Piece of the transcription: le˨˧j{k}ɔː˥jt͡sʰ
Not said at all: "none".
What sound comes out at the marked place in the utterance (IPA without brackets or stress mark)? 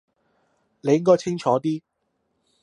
k